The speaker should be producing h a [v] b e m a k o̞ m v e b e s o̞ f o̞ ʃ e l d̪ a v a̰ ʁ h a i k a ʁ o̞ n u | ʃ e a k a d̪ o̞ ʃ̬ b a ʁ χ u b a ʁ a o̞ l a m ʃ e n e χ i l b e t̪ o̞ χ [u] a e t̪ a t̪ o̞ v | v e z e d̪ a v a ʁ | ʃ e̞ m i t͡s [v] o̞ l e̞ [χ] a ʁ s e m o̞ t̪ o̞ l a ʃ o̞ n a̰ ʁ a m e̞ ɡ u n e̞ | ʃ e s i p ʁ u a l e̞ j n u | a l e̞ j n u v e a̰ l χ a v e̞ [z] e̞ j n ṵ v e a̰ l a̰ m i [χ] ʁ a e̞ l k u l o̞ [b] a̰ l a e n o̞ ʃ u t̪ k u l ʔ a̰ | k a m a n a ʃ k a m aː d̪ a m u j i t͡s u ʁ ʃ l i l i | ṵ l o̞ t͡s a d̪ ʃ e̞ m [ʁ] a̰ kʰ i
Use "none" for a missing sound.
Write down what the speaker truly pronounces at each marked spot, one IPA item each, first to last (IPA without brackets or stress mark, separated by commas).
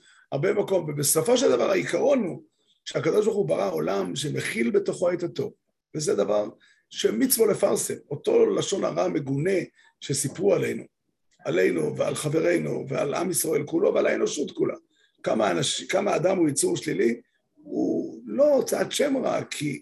ʁ, o, v, f, ʁ, s, v, ʁ